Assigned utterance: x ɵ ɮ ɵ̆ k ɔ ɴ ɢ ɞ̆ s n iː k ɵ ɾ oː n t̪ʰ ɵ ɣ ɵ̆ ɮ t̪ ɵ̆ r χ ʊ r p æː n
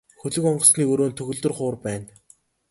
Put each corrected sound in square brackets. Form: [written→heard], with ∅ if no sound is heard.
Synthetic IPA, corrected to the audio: x ɵ ɮ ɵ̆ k ɔ ɴ ɢ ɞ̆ s n iː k ɵ ɾ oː n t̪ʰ ɵ ɣ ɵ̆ ɮ t̪ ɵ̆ r χ [ʊ→ʊː] r p æː n